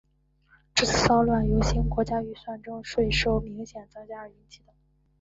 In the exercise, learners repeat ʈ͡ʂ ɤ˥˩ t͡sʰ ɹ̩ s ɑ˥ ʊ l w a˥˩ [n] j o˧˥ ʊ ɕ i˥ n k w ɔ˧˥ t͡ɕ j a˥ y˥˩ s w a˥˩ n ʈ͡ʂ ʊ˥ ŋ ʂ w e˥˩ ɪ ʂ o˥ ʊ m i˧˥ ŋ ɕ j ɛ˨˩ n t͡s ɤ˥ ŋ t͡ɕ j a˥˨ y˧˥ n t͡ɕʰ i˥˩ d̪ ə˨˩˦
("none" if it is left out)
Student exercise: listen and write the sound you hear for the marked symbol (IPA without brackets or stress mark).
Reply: n